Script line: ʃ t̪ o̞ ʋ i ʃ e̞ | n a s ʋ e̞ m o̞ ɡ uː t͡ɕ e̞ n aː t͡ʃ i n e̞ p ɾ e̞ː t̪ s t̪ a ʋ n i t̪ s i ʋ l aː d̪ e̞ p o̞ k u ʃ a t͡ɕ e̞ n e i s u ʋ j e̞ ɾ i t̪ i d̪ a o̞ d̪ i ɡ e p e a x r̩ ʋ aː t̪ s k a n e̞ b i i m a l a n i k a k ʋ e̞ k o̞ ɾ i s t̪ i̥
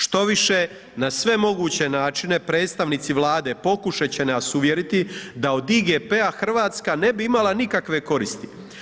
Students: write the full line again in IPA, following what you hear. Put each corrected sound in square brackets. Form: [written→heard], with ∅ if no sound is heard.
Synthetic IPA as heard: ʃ t̪ o̞ ʋ i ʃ e̞ | n a s ʋ e̞ m o̞ ɡ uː t͡ɕ e̞ n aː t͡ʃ i n e̞ p ɾ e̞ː t̪ s t̪ a ʋ n i t̪ s i ʋ l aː d̪ e̞ p o̞ k u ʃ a t͡ɕ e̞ n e [i→a] s u ʋ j e̞ ɾ i t̪ i d̪ a o̞ d̪ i ɡ e p e a x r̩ ʋ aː t̪ s k a n e̞ b i i m a l a n i k a k ʋ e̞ k o̞ ɾ i s t̪ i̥